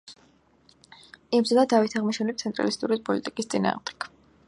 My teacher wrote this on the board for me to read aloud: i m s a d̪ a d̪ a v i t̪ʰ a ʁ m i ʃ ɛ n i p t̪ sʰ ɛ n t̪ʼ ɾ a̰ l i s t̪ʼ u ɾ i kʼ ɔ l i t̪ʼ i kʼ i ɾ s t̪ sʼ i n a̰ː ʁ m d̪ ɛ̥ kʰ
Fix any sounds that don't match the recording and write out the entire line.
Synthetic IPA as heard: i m z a d̪ a d̪ a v i t̪ʰ a ʁ m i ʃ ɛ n i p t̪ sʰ ɛ n t̪ʼ ɾ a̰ l i s t̪ʼ u ɾ i pʼ ɔ l i t̪ʼ i kʼ i s t̪ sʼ i n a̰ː ʁ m d̪ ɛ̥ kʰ